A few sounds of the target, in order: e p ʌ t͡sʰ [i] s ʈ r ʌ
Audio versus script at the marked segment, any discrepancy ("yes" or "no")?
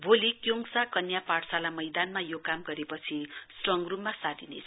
no